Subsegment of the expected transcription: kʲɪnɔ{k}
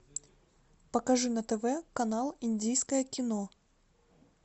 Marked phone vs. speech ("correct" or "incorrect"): incorrect